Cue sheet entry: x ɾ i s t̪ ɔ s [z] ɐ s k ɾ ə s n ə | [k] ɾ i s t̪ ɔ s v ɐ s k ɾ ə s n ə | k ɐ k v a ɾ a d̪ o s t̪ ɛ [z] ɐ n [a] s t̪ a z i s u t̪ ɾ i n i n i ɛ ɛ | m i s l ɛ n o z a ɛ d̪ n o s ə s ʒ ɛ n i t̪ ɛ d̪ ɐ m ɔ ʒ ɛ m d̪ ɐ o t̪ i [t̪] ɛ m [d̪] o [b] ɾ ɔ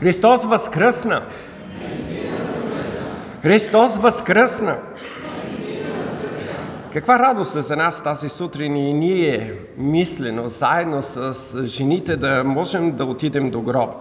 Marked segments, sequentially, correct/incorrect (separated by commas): incorrect, incorrect, correct, correct, incorrect, correct, incorrect